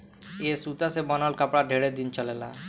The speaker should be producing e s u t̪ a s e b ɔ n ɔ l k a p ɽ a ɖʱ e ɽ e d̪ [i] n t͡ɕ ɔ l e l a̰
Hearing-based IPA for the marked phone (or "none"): i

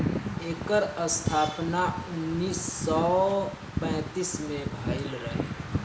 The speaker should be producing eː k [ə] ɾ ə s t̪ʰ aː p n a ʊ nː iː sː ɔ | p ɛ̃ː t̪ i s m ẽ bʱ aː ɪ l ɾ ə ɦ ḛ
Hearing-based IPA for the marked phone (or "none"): ə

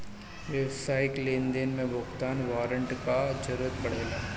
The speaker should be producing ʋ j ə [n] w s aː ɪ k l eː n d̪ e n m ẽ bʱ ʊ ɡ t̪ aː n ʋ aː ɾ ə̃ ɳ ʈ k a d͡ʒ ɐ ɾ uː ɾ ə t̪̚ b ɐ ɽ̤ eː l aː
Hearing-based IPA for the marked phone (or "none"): none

